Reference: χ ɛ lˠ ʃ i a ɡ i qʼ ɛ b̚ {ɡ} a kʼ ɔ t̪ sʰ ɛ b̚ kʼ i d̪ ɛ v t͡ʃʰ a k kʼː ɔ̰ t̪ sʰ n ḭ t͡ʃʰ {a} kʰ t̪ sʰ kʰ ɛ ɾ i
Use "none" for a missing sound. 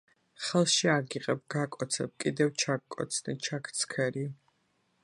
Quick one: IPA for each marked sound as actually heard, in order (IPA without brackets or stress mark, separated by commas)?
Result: ɡ, a